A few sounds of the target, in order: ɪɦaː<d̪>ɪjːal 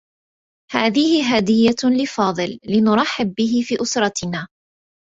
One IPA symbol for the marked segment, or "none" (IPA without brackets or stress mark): d̪